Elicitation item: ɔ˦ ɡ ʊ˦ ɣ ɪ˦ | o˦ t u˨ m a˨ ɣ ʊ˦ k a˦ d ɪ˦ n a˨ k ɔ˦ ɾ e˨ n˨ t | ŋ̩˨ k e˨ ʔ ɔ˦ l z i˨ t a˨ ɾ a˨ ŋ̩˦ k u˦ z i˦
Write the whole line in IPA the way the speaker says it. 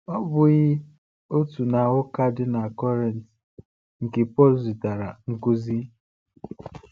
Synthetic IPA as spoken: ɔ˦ b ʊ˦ ɣ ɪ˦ | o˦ t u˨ n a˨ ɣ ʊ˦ k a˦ d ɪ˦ n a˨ k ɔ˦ ɾ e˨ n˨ t | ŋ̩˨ k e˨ p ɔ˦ l z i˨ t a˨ ɾ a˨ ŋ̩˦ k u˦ z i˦